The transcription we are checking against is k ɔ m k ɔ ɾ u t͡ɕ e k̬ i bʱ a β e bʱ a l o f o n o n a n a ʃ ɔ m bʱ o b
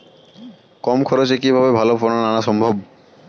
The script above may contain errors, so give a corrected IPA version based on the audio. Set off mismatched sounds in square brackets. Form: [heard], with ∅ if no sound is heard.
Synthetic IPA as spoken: k ɔ m [kʰ] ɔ ɾ [o] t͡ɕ e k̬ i bʱ a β e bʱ a l o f o n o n a n a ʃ ɔ m bʱ o b